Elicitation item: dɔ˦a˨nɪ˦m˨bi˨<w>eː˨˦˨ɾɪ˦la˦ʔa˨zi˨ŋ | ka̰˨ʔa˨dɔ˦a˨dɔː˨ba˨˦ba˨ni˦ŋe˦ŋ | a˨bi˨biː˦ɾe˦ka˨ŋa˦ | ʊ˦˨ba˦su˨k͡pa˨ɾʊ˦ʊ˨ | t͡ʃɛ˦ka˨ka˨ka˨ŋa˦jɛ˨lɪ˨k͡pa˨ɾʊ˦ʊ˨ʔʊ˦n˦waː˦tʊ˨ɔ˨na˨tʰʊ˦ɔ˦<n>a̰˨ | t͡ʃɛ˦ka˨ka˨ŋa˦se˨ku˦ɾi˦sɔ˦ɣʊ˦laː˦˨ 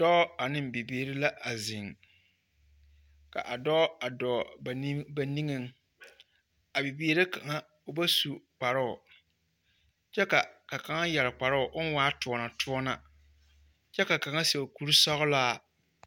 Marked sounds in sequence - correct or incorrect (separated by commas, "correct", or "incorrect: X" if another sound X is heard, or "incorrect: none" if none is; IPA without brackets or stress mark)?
incorrect: b, correct